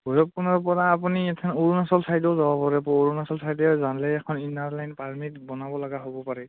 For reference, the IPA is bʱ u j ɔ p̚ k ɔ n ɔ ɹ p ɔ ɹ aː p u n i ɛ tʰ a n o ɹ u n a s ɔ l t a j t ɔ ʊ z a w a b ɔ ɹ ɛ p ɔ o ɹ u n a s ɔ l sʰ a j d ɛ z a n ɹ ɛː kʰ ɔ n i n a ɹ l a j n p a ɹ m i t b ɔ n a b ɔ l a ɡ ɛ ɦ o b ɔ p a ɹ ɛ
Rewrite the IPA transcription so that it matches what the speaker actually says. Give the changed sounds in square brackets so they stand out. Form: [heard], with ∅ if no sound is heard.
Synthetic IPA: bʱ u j ɔ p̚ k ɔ n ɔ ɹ p ɔ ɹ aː p u n i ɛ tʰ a n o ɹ u n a s ɔ l [s] a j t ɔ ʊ z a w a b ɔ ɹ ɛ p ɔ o ɹ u n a s ɔ l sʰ a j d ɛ z a n [l] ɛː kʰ ɔ n i n a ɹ l a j n p a ɹ m i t b ɔ n a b ɔ l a ɡ [a] ɦ o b ɔ p a ɹ ɛ